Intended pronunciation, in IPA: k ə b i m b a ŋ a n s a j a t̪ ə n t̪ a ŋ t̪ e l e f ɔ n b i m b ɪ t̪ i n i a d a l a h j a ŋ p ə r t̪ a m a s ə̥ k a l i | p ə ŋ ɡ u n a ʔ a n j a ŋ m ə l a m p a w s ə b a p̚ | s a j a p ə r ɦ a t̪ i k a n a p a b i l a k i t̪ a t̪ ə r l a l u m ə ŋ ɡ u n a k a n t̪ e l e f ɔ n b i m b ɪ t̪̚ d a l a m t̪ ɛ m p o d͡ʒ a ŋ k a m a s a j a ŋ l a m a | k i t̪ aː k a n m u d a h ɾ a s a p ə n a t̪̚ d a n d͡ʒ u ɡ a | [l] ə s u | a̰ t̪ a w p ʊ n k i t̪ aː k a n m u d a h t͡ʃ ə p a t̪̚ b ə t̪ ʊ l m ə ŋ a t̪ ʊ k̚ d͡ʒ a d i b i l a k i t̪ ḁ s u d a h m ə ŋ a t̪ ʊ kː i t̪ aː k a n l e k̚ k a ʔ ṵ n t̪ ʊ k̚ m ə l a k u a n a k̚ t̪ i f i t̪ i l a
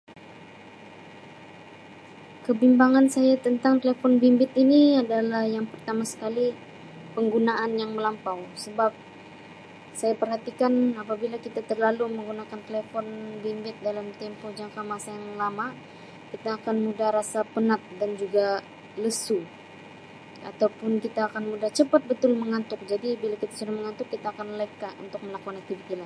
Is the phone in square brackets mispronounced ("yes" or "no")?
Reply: no